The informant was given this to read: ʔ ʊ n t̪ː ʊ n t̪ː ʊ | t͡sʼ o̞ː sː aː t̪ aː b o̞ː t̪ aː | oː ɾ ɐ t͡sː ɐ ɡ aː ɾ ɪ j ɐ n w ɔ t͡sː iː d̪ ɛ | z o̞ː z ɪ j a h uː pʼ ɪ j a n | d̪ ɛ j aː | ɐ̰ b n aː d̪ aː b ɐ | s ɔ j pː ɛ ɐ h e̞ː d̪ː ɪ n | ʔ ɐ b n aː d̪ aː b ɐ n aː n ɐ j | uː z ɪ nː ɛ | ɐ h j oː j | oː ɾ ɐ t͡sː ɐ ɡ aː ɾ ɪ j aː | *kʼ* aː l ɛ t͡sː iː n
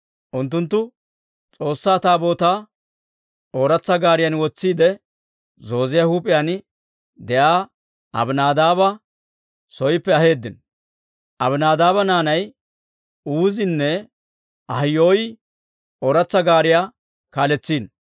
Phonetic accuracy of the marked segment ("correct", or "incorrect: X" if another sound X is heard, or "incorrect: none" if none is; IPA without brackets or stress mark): incorrect: k